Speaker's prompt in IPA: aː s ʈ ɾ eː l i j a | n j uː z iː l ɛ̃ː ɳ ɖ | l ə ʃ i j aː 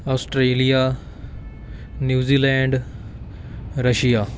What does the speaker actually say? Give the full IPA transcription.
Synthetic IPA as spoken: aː s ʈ ɾ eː l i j a | n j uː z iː l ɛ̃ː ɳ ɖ | ɾ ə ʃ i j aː